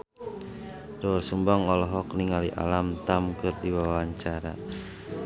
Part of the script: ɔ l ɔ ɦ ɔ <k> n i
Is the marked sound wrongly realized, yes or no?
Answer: no